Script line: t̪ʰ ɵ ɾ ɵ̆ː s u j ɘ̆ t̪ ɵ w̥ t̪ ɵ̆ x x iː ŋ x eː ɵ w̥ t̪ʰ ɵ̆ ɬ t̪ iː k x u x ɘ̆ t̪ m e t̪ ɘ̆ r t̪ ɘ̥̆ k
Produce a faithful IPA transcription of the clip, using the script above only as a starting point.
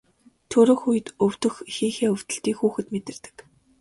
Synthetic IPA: t̪ʰ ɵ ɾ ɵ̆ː x u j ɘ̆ t̪ ɵ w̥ t̪ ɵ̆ x x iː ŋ x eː ɵ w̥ t̪ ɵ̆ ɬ t̪ iː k x uː x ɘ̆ t̪ m e t̪ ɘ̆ r t̪ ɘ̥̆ k